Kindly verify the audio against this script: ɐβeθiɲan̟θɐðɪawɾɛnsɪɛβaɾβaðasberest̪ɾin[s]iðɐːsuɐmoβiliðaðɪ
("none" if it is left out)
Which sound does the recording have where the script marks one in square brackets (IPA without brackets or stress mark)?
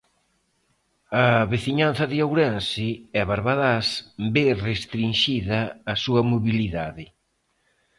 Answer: ʃ